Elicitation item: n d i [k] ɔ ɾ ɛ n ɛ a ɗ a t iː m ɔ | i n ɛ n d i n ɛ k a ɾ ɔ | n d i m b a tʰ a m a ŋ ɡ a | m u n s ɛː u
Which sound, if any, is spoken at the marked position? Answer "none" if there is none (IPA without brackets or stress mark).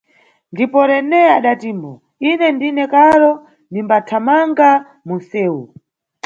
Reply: p